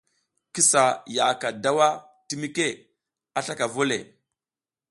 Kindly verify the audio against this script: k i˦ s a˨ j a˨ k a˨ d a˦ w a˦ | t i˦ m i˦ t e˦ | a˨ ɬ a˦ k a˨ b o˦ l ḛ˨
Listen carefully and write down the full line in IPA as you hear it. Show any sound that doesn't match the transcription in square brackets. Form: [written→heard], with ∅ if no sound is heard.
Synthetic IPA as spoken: k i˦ s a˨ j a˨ k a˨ d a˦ w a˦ | t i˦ m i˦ [t→k] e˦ | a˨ ɬ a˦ k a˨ [b→v] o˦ l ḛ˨